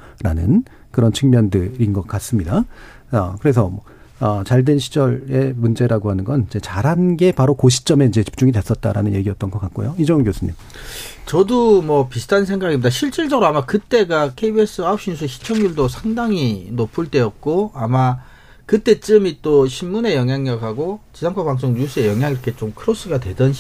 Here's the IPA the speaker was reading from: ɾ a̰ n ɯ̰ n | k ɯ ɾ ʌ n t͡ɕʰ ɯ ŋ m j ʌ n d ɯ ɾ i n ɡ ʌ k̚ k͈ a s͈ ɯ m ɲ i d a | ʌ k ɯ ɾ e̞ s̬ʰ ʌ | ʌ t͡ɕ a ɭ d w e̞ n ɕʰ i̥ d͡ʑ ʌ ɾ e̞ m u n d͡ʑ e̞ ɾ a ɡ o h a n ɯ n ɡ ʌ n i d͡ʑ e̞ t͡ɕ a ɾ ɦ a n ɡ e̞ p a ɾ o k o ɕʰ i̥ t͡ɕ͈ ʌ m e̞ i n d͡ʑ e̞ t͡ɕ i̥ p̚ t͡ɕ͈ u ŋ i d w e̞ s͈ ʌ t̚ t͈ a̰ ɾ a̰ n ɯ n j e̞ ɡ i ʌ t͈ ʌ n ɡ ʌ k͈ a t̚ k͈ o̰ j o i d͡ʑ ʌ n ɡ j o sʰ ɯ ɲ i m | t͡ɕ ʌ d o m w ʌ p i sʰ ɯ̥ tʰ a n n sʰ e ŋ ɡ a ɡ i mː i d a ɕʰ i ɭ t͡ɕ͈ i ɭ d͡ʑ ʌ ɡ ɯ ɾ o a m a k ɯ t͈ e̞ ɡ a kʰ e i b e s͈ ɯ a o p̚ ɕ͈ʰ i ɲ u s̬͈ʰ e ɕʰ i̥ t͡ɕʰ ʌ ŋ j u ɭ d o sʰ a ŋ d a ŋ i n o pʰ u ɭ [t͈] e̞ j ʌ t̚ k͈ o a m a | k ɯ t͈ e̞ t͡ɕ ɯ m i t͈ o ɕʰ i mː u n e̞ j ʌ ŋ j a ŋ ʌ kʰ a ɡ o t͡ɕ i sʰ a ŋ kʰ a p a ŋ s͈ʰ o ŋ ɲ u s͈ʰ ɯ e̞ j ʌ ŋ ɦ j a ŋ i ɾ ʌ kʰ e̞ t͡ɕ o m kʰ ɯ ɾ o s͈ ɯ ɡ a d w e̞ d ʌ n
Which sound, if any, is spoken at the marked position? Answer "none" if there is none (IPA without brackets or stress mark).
t͈